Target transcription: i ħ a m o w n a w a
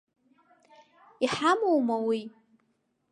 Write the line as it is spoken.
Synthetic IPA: i ħ a m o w m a w i